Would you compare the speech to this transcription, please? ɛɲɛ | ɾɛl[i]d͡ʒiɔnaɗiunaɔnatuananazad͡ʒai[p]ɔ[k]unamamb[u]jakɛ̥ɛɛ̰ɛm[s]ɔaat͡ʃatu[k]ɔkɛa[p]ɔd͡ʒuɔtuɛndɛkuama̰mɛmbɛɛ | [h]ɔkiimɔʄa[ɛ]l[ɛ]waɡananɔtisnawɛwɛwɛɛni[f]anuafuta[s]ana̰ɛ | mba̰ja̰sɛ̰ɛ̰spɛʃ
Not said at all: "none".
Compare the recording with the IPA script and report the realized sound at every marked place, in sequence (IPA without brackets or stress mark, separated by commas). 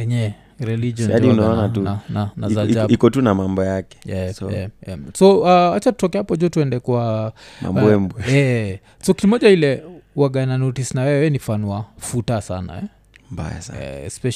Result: i, k, t, ɔ, s, t, p, s, i, ɛ, f, s